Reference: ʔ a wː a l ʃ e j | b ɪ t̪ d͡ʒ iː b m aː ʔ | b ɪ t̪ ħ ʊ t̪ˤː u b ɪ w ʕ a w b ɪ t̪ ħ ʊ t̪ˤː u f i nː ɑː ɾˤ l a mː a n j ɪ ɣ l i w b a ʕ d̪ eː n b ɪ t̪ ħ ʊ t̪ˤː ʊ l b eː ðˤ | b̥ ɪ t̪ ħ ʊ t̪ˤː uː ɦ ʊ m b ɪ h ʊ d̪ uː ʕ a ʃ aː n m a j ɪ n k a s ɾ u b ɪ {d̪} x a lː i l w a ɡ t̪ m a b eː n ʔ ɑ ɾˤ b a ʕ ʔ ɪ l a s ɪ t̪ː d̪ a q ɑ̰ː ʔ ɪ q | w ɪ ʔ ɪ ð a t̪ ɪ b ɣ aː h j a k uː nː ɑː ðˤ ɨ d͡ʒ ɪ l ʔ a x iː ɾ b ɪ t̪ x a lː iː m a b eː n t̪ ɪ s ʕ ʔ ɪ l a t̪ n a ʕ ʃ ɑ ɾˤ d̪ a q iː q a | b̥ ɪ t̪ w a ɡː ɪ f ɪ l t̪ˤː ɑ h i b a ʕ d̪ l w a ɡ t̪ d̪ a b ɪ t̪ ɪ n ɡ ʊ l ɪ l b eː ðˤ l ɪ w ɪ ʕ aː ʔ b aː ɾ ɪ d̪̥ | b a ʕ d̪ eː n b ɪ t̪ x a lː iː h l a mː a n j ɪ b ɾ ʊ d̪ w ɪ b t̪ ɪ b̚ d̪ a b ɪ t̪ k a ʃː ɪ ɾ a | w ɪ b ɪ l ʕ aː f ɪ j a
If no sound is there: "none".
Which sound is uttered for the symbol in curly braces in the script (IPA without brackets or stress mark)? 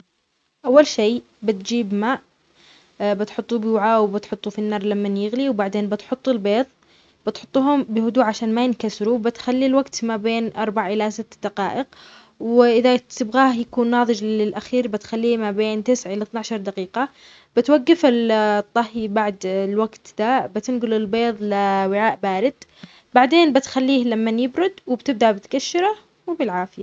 t̪